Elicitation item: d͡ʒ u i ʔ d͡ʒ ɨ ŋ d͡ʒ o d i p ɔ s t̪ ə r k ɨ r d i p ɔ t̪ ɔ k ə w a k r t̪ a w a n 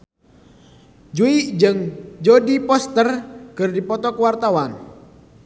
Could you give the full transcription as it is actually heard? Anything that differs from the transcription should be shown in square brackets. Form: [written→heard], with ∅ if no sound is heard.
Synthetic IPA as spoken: d͡ʒ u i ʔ d͡ʒ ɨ ŋ d͡ʒ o d i p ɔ s t̪ ə r k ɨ r d i p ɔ t̪ ɔ k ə w a [k→∅] r t̪ a w a n